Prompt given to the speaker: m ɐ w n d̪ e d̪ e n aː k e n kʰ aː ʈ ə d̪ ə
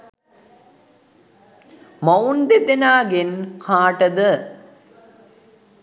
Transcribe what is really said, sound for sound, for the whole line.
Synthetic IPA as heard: m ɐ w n d̪ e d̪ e n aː ɡ e n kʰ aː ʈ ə d̪ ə

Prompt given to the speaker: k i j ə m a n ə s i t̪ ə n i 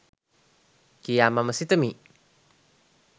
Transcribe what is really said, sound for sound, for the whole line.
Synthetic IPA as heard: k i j a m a m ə s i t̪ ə m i

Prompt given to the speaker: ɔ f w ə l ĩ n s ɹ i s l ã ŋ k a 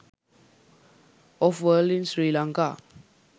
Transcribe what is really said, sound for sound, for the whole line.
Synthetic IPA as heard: ɔ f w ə l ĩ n s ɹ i l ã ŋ k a

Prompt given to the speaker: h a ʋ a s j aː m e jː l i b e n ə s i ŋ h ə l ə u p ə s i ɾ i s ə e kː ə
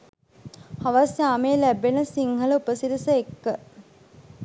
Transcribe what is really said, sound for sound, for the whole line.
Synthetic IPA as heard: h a ʋ a s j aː m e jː l æ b e n ə s i ŋ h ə l ə u p ə s i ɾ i s ə e kː ə

